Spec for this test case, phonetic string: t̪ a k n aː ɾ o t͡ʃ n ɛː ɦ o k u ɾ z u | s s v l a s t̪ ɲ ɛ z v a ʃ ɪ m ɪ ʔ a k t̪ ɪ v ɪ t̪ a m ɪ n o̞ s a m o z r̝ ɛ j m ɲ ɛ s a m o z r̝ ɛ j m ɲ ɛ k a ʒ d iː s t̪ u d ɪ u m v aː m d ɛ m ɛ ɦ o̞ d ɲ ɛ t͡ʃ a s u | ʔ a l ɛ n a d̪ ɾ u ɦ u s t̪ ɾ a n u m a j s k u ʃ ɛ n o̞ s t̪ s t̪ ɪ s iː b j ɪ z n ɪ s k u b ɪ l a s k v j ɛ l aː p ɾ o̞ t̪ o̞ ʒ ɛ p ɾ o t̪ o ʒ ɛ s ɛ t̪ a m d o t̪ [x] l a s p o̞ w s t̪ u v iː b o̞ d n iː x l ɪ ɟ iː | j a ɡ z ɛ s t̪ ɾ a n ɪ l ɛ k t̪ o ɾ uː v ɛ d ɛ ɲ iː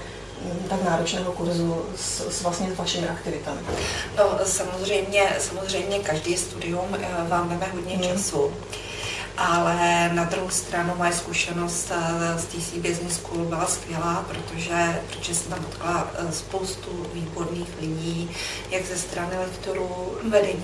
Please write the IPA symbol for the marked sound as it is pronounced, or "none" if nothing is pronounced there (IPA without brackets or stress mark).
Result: k